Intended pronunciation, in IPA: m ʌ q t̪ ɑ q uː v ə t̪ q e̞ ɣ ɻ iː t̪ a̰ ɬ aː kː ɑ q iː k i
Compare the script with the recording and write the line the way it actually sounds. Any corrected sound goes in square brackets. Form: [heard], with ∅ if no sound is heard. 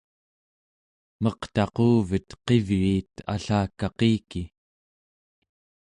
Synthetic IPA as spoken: m ʌ q t̪ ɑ q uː v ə t̪ q e̞ [v] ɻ iː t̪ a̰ ɬ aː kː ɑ q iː k i

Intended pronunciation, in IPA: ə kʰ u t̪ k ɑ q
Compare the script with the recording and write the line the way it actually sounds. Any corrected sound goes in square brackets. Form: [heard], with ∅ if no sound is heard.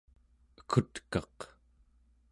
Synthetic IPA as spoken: ə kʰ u t̪ k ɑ q

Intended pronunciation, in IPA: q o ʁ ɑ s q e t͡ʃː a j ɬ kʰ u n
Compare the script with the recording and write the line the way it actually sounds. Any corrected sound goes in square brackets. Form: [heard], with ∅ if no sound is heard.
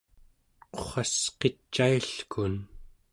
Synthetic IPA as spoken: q o [χ] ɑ s q e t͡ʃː a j ɬ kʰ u n

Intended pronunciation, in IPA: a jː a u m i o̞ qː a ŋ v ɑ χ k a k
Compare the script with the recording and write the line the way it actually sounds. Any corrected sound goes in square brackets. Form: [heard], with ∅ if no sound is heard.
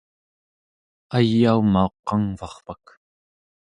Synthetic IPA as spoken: a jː a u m [a] o̞ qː [ɑ] ŋ v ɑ χ [p] a k

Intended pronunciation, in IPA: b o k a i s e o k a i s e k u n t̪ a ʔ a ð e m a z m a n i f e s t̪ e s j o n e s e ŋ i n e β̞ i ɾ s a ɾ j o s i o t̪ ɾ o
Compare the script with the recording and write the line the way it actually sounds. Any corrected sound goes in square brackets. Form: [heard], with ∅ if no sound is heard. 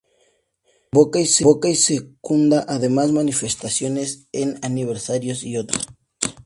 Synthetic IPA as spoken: b o k a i s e o k a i s e k u n [d̪] a ʔ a ð e m a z m a n i f e s t̪ [a] s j o n e s e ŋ [a] n [i] β̞ [e] ɾ s a ɾ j o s i o t̪ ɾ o

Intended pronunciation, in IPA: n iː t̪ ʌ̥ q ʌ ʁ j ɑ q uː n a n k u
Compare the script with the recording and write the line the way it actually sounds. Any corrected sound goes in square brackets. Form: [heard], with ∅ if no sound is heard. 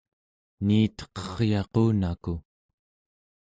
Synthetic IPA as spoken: n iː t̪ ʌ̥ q ʌ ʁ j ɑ q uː n a [∅] k u

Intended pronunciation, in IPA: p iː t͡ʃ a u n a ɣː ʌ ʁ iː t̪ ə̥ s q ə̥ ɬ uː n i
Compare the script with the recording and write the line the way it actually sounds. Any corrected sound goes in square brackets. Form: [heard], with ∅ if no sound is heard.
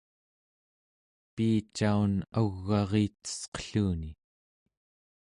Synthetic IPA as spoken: p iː t͡ʃ a u n a ɣː [ɑ] ʁ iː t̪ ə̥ s q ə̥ ɬ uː n i

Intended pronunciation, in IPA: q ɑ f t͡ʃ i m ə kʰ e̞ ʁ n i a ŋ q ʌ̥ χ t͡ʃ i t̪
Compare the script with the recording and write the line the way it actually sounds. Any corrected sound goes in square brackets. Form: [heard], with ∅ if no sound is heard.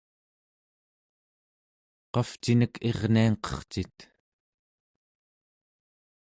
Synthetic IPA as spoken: q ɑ f t͡ʃ i [n] ə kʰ e̞ ʁ n i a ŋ q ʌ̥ χ t͡ʃ i t̪

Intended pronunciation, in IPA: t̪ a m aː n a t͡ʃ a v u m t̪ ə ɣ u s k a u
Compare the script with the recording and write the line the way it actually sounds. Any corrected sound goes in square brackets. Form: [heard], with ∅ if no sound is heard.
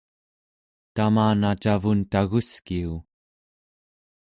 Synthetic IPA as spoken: t̪ a m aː n a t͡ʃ a v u [n] t̪ [a] ɣ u s k [i] u

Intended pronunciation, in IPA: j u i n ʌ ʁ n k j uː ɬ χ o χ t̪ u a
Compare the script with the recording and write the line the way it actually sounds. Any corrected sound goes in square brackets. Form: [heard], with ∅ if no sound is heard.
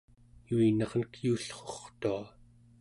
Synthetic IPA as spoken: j u i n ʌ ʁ n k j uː ɬ χ o χ t̪ u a

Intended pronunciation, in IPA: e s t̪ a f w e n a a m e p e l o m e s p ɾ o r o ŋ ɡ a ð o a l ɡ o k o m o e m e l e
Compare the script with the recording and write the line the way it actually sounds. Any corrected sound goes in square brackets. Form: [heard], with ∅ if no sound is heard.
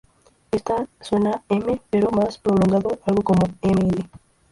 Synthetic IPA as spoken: e s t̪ a [s] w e n a [e] m e p e [ɾ] o m [a] s p ɾ o [l] o ŋ ɡ a ð o a l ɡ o k o m o e m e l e

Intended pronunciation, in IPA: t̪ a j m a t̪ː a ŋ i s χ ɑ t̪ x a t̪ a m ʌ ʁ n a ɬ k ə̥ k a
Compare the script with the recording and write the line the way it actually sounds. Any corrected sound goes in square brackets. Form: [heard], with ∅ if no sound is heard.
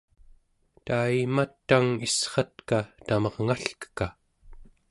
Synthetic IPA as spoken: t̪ a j m a t̪ː a ŋ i s χ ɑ t̪ [k] a t̪ a m ʌ ʁ [ŋ] a ɬ k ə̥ k a

